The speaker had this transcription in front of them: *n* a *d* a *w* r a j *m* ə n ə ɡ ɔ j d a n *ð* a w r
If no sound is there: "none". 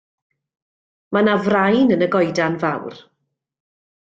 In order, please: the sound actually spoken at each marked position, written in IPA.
m, n, v, n, v

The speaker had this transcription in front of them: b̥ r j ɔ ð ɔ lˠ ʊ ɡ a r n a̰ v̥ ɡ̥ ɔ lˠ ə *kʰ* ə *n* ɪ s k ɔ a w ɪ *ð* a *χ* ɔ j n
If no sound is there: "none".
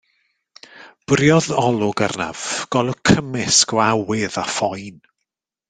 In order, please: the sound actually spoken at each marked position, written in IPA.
kʰ, m, ð, f

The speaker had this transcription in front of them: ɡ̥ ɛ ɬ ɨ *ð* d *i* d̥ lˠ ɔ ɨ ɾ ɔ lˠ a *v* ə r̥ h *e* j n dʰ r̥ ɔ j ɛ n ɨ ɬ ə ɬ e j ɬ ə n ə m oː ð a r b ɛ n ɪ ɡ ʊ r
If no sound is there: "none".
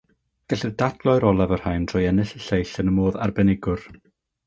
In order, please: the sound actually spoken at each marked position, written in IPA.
ð, a, v, a

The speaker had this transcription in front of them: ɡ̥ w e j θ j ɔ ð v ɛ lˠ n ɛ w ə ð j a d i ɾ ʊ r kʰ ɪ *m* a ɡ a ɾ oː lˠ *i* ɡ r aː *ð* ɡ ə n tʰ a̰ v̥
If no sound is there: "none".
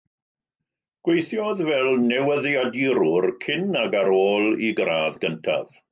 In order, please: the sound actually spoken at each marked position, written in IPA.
n, i, ð

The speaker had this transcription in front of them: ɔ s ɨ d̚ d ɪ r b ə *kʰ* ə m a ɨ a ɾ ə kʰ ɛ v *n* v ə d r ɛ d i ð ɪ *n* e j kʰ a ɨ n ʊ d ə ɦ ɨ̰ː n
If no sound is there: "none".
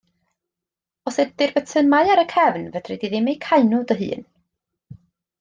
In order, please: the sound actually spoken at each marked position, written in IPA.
tʰ, n, m

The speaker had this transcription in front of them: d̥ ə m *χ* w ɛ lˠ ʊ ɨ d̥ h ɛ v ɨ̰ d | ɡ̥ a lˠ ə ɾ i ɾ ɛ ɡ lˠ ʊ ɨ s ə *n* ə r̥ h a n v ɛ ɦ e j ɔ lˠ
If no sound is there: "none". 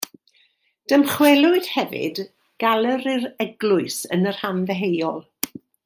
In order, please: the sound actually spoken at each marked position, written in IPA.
χ, n

